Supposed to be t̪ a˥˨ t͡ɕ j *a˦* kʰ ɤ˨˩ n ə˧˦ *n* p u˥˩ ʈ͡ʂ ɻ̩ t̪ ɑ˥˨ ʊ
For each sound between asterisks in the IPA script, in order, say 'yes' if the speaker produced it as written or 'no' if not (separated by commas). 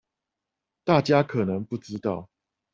yes, no